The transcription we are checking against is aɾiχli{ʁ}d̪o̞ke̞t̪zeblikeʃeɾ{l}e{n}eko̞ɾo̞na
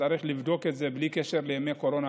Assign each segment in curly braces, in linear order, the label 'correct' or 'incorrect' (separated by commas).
incorrect, correct, incorrect